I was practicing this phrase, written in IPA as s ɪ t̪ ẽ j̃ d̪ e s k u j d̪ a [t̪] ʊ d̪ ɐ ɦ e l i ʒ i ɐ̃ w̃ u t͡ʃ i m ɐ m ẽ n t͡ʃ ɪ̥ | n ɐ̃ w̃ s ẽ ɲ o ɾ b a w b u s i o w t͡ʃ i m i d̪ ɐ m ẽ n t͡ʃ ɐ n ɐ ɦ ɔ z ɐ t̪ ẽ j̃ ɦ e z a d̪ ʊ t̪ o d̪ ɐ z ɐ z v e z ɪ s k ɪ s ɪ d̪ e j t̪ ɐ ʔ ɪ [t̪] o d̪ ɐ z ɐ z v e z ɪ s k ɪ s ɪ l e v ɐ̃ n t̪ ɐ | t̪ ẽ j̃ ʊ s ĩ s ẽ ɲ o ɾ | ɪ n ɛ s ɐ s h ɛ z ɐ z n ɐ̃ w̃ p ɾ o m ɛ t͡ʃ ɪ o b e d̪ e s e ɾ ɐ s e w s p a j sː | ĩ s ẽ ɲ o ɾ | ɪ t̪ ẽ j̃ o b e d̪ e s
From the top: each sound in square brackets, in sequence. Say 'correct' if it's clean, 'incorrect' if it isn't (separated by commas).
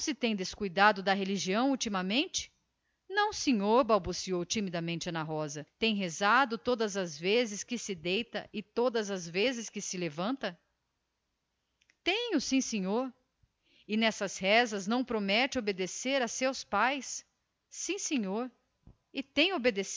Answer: incorrect, correct